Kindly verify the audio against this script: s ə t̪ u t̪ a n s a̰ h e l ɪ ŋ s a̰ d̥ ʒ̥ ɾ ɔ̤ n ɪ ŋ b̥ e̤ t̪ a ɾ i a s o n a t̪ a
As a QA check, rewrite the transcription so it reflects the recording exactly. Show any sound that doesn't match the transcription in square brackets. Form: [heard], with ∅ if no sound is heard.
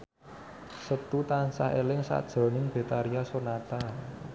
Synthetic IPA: s ə t̪ u t̪ a n s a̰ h e l ɪ ŋ s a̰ d̥ ʒ̥ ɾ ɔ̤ n ɪ ŋ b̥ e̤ t̪ a ɾ i a s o n a t̪ a